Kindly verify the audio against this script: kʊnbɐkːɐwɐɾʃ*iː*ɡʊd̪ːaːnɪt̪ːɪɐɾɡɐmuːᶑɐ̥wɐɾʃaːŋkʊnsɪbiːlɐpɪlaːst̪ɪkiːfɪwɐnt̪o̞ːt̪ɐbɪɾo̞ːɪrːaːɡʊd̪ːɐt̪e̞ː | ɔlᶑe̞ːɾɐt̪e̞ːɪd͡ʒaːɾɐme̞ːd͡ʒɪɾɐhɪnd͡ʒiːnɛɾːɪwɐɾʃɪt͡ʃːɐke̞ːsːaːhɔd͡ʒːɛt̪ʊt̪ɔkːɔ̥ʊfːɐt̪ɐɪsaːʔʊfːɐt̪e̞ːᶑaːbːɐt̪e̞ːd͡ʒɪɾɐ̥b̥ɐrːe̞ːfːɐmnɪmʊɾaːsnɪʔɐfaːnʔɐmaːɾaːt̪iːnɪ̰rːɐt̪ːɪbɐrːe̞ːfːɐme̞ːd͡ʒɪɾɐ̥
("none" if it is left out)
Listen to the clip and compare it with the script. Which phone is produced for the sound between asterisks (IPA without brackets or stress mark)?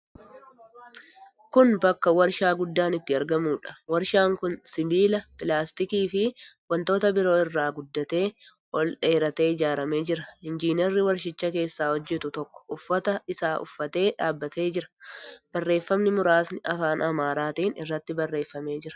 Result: aː